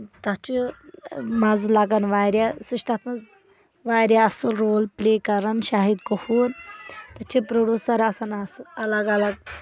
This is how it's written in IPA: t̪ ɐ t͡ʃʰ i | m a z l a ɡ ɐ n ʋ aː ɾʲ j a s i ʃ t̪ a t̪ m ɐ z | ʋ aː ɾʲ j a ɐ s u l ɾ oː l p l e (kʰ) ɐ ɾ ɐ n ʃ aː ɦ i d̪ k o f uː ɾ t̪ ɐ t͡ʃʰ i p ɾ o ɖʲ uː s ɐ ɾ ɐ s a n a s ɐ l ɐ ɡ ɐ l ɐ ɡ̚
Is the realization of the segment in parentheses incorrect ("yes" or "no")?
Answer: yes